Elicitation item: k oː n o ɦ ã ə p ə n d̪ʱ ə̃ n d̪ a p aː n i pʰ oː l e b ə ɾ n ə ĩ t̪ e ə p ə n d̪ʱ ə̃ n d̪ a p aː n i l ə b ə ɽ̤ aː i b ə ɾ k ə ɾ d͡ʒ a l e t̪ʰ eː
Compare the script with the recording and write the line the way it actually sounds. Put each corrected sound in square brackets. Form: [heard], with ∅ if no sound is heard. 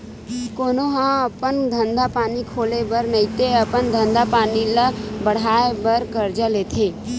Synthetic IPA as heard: k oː n o ɦ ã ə p ə n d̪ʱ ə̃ n d̪ a p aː n i [kʰ] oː l e b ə ɾ n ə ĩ t̪ e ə p ə n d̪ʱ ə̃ n d̪ a p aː n i l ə b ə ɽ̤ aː [e] b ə ɾ k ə ɾ d͡ʒ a l e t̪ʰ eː